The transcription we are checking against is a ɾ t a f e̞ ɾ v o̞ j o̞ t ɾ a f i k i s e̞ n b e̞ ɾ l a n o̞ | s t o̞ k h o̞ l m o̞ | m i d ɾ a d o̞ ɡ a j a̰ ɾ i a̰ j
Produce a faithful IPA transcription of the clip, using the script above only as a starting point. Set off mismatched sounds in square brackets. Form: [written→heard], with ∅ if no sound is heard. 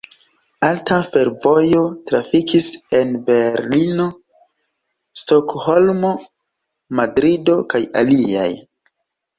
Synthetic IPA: a [ɾ→l] t a f e̞ ɾ v o̞ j o̞ t ɾ a f i k i s e̞ n b e̞ ɾ l [a→i] n o̞ | s t o̞ k h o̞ l m o̞ | m [i→a] d ɾ [a→i] d o̞ [ɡ→k] a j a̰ [ɾ→l] i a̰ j